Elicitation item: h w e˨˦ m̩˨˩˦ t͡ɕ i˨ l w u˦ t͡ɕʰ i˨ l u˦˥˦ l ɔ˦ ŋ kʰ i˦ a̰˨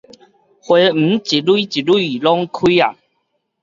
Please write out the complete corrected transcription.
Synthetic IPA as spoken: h w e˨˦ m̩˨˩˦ t͡ɕ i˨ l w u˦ t͡ɕ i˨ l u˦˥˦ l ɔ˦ ŋ kʰ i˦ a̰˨